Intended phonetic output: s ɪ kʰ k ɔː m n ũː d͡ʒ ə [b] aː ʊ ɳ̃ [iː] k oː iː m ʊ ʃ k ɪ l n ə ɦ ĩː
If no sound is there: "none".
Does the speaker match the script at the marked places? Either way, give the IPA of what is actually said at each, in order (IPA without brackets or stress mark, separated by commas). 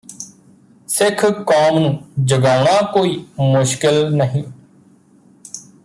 ɡ, aː